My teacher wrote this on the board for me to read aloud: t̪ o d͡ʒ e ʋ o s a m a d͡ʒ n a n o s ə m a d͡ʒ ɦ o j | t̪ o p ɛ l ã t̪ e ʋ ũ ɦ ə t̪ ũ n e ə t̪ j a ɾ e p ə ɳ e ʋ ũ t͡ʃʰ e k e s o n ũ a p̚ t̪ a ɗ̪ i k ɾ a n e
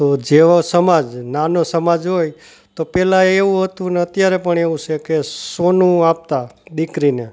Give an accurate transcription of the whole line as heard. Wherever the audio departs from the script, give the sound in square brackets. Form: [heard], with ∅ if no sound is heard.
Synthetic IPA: t̪ o d͡ʒ e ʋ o s [ə] m a d͡ʒ n a n o s ə m a d͡ʒ ɦ o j | t̪ o p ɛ l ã [∅] e ʋ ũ ɦ ə t̪ ũ n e ə t̪ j a ɾ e p ə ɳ e ʋ ũ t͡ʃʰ e k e s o n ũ a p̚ t̪ a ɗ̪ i k ɾ [i] n e